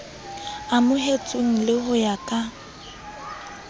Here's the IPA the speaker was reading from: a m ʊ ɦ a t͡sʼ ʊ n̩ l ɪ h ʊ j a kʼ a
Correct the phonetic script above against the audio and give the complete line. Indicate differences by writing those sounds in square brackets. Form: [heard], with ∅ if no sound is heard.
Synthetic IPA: a m ʊ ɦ [e] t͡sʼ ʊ [ŋ̩] l ɪ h ʊ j a kʼ a